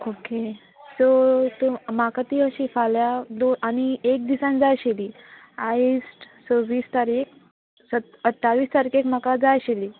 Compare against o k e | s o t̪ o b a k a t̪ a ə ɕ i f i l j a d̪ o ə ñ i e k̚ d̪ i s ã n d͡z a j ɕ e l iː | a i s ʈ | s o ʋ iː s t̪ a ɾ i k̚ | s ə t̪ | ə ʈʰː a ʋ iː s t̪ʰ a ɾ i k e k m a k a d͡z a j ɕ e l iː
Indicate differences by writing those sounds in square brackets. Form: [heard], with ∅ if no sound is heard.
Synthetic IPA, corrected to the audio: o k e | s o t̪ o [m] a k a t̪ [i] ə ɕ i f [a] l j a d̪ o [a] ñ i e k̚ d̪ i s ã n d͡z a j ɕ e l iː | a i s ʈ | s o ʋ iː s t̪ a ɾ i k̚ | s ə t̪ | ə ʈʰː a ʋ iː s [t̪] a ɾ i k e k m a k a d͡z a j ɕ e l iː